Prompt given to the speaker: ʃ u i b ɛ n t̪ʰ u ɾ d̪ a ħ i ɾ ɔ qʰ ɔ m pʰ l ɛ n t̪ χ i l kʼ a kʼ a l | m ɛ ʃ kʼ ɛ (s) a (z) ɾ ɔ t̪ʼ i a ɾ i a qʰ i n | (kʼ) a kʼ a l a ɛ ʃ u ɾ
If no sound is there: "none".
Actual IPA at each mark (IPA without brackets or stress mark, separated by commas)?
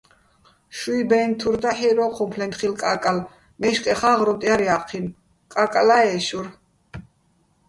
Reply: χ, ʁ, kʼ